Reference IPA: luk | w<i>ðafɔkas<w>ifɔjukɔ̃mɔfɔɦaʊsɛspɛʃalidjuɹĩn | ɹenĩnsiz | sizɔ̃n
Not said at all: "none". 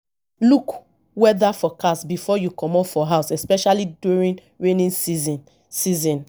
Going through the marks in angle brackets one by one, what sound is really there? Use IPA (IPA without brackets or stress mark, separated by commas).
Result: ɛ, b